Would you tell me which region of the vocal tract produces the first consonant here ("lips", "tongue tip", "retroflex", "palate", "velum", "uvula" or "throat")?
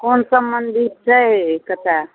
velum